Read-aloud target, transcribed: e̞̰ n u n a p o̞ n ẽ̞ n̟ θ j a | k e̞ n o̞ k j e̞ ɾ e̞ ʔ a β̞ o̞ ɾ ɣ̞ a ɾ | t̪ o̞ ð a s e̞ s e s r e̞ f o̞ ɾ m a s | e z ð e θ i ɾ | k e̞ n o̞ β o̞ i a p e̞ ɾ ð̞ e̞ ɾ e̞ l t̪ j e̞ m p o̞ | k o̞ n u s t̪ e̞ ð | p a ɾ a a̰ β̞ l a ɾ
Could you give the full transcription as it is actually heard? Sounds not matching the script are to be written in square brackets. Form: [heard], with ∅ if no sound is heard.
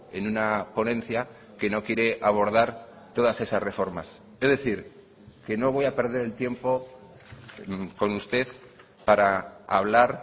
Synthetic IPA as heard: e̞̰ n u n a p o̞ n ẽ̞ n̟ θ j a | k e̞ n o̞ k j e̞ ɾ e̞ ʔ a β̞ o̞ ɾ [ð̞] a ɾ | t̪ o̞ ð a s e̞ s [a] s r e̞ f o̞ ɾ m a s | e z ð e θ i ɾ | k e̞ n o̞ β o̞ [j] a p e̞ ɾ ð̞ e̞ ɾ e̞ l t̪ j e̞ m p o̞ | k o̞ n u s t̪ e̞ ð | p a ɾ a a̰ β̞ l a ɾ